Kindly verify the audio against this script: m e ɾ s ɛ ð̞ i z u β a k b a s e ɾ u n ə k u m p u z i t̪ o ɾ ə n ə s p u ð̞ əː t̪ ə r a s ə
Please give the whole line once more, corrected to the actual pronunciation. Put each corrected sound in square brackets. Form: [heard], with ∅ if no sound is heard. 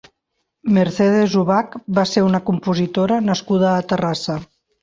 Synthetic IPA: m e ɾ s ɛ ð̞ [e] z u β a k b a s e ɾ u n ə k u m p u z i t̪ o ɾ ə n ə s [k] u ð̞ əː t̪ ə r a s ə